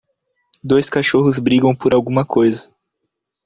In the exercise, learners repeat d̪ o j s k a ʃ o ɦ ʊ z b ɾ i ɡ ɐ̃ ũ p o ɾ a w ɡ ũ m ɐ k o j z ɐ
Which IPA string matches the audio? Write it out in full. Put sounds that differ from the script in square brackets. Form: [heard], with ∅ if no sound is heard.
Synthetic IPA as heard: d̪ o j s k a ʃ o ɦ ʊ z b ɾ i ɡ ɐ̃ [w̃] p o ɾ a w ɡ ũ m ɐ k o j z ɐ